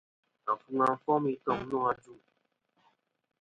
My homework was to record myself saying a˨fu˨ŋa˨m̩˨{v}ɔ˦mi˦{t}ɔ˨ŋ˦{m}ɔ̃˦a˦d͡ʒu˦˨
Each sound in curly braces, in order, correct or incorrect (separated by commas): incorrect, correct, incorrect